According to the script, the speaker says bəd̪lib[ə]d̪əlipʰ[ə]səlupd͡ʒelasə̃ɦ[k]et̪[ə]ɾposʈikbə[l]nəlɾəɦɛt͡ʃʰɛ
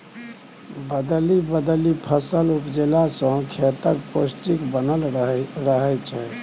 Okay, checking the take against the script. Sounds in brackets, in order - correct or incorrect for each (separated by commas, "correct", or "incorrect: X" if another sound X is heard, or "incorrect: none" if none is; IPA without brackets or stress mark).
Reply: correct, correct, incorrect: kʰ, correct, incorrect: none